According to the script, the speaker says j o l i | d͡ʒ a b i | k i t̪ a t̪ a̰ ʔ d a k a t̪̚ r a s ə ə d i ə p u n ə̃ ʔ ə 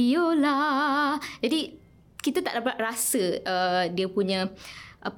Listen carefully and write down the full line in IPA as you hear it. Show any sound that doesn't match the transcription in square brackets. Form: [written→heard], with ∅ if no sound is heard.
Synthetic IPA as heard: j o l [i→a] | d͡ʒ a [b→d] i | k i t̪ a t̪ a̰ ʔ d a [k→p] a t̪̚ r a s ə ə d i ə p u [n→ɲ] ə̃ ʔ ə